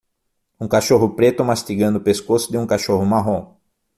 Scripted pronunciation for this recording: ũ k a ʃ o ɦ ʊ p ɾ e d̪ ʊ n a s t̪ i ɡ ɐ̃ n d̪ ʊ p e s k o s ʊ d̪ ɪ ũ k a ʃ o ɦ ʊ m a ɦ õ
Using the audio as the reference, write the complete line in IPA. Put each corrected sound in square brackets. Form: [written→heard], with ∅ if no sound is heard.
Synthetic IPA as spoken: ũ k a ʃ o ɦ ʊ p ɾ e [d̪→t̪] ʊ [n→m] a s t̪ i ɡ ɐ̃ n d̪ ʊ p e s k o s ʊ d̪ ɪ ũ k a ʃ o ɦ ʊ m a ɦ õ